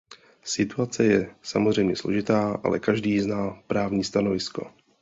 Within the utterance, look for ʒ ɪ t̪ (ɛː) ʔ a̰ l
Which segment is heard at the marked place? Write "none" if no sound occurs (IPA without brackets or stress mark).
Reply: aː